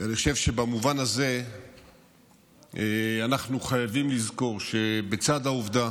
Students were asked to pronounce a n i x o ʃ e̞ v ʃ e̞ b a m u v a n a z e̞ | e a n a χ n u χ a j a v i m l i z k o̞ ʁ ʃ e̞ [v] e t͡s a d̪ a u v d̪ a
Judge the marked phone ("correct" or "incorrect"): incorrect